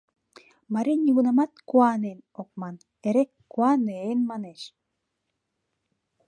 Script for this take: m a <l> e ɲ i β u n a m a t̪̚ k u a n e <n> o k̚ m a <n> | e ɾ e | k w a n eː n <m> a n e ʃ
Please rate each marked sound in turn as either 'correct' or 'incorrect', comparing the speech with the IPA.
incorrect, correct, correct, correct

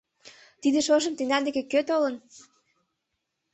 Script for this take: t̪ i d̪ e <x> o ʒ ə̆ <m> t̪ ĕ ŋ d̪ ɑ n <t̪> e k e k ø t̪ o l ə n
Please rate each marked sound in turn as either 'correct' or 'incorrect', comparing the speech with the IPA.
incorrect, correct, incorrect

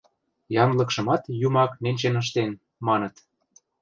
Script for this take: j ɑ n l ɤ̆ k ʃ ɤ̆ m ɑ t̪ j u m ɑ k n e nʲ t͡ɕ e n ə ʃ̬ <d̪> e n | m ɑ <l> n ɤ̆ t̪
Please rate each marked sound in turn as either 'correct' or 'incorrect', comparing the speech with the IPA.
incorrect, incorrect

